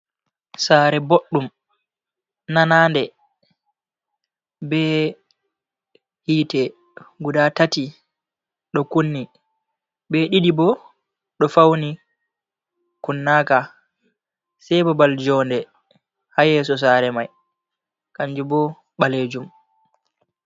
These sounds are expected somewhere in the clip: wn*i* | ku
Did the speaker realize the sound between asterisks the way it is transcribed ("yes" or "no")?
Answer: yes